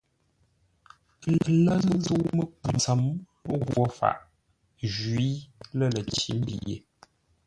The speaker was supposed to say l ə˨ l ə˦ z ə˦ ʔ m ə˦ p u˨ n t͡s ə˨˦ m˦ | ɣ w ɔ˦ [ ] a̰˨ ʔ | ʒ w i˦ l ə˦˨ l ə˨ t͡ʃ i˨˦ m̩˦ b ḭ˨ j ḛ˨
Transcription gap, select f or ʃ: f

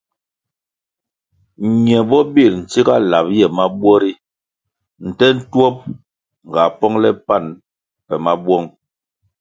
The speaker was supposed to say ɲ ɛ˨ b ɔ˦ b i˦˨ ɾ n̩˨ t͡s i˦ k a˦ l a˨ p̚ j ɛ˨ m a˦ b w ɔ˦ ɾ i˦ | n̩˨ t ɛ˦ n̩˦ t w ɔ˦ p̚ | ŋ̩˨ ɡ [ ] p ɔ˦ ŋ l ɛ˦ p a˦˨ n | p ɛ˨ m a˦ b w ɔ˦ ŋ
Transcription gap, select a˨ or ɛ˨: a˨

